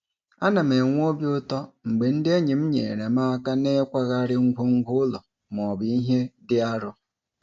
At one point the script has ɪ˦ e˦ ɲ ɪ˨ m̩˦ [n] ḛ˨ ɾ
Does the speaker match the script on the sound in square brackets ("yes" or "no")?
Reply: no